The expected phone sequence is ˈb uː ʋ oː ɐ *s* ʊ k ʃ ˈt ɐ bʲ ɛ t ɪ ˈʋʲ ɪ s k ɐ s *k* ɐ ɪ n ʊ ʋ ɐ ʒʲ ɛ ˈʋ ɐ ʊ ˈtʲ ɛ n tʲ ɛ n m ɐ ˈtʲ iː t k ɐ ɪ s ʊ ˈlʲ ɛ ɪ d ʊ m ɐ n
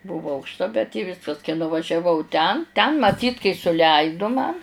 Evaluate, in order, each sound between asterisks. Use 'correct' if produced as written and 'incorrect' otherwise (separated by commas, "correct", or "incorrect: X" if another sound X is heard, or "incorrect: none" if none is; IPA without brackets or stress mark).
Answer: incorrect: none, correct